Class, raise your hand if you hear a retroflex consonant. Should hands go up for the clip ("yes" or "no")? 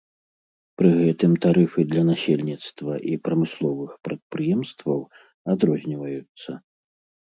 no